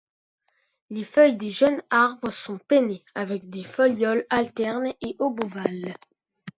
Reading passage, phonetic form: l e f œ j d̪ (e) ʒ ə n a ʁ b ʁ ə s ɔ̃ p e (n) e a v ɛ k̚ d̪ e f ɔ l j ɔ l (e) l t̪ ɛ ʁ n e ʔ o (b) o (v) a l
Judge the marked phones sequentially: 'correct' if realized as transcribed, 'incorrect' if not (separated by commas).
correct, correct, incorrect, correct, correct